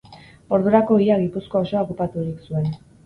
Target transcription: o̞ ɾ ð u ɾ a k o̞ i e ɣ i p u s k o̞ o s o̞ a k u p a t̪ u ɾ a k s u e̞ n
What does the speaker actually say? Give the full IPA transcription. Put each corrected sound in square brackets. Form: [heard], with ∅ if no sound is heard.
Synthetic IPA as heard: o̞ ɾ ð u ɾ a k o̞ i [a] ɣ i p u s k o̞ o s o̞ a k u p a t̪ u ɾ [i] k s u e̞ n